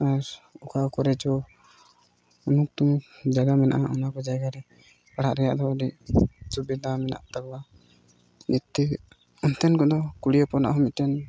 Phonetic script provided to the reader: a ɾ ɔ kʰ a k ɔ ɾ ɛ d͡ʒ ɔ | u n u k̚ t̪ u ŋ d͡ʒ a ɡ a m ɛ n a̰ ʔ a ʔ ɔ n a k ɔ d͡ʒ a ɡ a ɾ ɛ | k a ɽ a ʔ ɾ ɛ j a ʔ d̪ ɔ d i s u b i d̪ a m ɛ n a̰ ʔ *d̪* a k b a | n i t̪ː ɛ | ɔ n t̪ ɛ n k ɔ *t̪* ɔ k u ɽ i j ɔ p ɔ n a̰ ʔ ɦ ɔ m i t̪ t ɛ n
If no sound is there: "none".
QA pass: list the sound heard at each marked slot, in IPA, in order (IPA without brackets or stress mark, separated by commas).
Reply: t̪, d̪